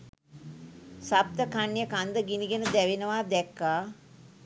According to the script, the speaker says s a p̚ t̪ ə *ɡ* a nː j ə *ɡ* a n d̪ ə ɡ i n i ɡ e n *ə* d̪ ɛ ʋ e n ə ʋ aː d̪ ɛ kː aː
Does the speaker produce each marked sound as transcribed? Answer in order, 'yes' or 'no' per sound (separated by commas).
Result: no, no, yes